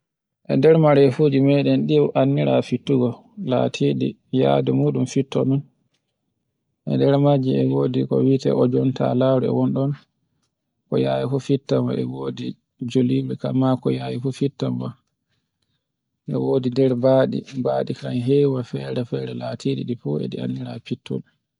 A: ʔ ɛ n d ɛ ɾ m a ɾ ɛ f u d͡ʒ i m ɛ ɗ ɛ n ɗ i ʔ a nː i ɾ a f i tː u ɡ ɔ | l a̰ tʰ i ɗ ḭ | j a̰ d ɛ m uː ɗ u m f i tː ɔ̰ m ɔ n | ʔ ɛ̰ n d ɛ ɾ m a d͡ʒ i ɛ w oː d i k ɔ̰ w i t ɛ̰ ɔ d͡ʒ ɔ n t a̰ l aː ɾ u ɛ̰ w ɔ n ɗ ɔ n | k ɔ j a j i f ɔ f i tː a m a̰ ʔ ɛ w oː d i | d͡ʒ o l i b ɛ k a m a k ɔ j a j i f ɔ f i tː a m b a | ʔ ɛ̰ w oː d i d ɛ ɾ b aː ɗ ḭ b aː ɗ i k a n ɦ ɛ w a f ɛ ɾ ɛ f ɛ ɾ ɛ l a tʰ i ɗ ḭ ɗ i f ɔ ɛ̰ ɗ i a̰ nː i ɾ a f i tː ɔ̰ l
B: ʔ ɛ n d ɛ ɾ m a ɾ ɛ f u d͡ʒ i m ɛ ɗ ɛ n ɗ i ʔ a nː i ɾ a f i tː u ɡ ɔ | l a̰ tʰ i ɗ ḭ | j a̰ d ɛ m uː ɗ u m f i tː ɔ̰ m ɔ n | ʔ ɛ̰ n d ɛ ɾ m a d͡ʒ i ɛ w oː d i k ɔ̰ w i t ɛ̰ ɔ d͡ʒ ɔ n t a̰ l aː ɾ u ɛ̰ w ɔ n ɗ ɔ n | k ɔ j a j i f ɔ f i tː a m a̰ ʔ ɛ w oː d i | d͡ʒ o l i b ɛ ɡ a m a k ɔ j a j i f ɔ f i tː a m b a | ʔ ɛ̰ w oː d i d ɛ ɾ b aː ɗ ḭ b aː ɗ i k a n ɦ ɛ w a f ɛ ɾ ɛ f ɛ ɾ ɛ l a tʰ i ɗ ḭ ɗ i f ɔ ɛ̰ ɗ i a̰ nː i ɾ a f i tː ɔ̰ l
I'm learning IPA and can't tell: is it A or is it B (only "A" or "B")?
A